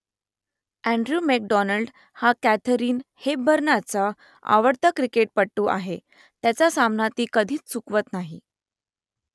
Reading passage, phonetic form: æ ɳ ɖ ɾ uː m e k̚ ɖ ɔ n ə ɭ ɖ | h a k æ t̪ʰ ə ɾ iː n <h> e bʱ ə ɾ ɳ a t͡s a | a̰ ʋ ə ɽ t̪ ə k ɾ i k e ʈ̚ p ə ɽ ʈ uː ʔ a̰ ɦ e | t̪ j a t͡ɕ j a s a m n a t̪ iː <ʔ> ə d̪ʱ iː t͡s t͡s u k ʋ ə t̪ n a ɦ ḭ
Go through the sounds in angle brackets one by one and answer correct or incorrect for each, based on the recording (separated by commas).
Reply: correct, incorrect